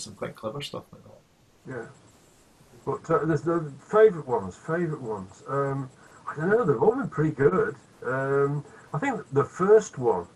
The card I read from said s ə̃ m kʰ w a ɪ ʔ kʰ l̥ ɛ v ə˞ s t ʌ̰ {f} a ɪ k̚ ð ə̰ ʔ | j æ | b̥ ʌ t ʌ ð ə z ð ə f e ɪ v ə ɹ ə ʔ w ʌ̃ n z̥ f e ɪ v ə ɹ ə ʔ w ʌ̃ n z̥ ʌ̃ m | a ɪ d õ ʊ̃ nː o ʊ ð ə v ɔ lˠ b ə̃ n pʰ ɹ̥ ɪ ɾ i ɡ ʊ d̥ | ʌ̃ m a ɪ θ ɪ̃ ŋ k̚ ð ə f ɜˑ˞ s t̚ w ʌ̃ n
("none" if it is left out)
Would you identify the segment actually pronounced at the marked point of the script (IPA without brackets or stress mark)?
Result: f